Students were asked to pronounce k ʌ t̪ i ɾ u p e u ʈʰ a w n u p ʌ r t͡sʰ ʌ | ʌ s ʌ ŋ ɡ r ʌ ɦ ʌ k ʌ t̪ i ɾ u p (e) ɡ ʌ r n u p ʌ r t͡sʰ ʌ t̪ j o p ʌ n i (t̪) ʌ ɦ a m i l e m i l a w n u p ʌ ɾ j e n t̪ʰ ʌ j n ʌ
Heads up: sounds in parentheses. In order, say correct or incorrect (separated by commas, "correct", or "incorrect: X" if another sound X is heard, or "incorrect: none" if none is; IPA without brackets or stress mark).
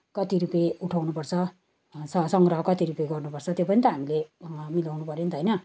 correct, correct